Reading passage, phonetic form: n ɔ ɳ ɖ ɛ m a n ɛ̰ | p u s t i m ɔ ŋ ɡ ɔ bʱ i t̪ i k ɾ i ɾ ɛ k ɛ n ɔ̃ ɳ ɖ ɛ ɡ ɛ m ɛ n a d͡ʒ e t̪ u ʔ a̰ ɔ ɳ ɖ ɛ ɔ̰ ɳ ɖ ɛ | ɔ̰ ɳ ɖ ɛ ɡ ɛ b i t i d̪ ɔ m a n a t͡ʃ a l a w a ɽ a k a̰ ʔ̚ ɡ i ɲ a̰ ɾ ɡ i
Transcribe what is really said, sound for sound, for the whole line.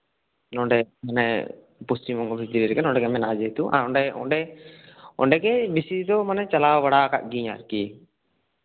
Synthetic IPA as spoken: n ɔ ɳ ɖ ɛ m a n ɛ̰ | p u s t i m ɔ ŋ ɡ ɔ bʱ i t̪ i ɾ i ɾ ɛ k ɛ n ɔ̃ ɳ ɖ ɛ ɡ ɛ m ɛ n a d͡ʒ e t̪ u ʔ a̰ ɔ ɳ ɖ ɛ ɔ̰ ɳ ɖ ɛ | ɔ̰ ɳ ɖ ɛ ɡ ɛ b i s i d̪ ɔ m a n ɛ t͡ʃ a l a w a ɽ a k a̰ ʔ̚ ɡ i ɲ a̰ ɾ k i